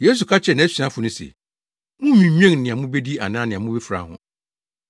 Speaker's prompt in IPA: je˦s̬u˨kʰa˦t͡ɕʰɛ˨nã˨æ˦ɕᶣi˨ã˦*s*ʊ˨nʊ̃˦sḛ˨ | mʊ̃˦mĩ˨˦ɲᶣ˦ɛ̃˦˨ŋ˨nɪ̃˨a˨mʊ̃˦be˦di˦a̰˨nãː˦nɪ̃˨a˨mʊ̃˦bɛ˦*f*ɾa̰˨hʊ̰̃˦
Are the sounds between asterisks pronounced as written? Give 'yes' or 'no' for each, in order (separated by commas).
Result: no, yes